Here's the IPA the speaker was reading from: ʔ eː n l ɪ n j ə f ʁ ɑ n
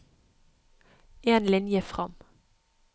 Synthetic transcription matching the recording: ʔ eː n l ɪ n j ə f ʁ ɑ m